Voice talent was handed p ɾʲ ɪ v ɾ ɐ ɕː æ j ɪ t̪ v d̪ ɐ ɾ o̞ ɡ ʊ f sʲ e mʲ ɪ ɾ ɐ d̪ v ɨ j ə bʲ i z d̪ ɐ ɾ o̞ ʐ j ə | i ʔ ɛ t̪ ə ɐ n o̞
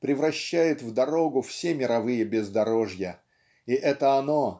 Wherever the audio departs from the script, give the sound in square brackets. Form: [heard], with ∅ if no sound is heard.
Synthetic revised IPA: p ɾʲ ɪ v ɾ ɐ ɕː æ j ɪ t̪ v d̪ ɐ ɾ o̞ ɡ ʊ f sʲ e mʲ ɪ ɾ ɐ [∅] v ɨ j ə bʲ [ɪ] z d̪ ɐ ɾ o̞ ʐ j ə | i ʔ ɛ t̪ ə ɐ n o̞